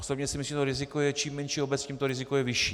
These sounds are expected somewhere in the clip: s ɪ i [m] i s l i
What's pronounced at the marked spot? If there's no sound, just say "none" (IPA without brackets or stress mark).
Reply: m